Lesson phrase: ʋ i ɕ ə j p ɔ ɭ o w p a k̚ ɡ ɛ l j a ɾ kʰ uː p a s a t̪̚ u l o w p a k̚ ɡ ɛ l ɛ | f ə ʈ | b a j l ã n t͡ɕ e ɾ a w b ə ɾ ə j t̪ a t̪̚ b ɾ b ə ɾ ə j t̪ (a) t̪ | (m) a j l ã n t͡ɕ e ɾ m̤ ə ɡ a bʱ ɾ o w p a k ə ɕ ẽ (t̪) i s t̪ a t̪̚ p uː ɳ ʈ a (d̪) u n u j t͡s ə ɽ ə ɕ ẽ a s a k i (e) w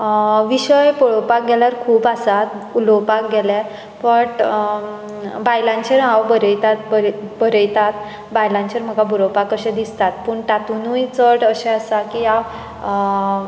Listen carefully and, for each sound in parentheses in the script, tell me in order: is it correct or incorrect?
correct, incorrect: b, incorrect: d̪, incorrect: t̪, incorrect: a

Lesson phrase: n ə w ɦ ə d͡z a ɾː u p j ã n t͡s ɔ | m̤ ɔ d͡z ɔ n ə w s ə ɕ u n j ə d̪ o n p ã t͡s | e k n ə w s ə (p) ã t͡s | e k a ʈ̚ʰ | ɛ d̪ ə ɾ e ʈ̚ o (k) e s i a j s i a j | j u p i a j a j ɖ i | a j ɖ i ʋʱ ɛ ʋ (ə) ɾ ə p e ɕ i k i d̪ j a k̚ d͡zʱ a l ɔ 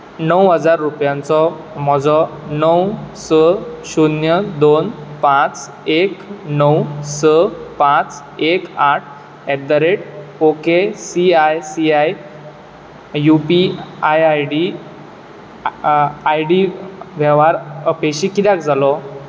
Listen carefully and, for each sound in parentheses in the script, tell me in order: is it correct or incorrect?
correct, correct, incorrect: a

